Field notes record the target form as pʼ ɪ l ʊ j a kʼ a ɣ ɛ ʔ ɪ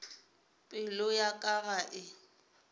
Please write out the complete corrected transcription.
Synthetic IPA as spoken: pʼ ɪ l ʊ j a kʼ a ɣ a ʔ ɪ